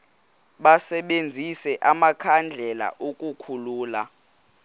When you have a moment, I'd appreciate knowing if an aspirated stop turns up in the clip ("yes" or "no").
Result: yes